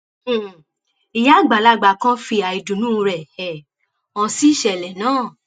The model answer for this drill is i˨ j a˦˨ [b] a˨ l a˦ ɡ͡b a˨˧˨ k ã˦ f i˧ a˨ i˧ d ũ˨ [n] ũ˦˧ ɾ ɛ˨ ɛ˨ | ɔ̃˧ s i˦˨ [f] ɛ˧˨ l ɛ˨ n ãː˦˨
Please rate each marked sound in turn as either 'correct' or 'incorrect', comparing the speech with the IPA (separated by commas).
incorrect, correct, incorrect